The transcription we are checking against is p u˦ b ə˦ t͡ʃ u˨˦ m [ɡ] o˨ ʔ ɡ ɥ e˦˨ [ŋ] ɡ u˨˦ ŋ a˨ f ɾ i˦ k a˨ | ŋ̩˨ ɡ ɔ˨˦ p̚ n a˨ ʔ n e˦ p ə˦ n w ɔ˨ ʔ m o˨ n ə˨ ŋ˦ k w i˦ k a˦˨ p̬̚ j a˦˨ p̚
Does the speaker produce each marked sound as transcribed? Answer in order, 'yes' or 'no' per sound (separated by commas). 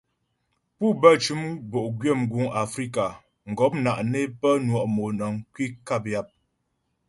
no, no